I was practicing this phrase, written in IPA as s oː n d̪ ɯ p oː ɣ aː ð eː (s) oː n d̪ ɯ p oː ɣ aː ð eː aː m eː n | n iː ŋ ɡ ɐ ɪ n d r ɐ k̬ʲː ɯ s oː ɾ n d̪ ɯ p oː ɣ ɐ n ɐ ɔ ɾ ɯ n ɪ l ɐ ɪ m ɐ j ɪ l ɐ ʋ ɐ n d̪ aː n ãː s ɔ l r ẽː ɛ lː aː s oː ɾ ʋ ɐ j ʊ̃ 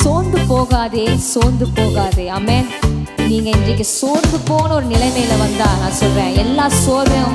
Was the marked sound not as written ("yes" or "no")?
no